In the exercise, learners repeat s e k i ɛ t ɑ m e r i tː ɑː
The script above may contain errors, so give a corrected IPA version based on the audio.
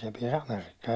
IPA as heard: s e p i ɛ s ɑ m e r i kː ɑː